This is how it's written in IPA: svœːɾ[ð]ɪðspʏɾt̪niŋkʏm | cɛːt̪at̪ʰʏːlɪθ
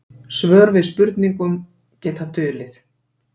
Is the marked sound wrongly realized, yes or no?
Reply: yes